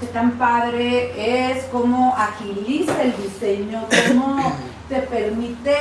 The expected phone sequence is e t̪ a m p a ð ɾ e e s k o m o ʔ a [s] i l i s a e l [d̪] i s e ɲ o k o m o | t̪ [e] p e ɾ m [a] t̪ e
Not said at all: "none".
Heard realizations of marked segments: x, d̪, e, i

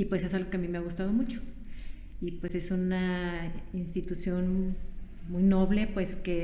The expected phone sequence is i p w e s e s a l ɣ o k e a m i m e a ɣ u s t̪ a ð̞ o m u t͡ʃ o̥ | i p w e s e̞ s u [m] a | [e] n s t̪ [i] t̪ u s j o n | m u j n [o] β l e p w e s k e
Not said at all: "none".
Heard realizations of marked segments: n, i, i, o

